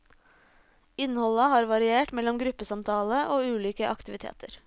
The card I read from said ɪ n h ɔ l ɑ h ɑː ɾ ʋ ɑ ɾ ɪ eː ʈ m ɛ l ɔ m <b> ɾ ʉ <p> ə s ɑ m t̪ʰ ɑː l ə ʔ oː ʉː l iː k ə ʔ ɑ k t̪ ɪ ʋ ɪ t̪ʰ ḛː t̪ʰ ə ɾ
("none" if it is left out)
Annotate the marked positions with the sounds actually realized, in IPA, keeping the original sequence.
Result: ɡ, p

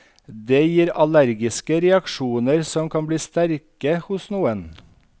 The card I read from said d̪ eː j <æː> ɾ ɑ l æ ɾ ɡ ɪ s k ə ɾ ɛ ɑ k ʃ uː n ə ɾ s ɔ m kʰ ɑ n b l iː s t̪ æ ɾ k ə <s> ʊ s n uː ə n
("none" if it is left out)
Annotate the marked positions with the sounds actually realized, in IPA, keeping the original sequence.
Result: iː, h

